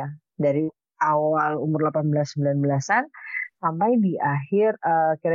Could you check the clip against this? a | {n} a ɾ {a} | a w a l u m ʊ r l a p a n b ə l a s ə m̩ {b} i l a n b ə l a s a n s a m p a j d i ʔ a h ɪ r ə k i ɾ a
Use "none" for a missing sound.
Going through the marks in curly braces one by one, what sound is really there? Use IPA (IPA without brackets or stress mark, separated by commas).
d, i, b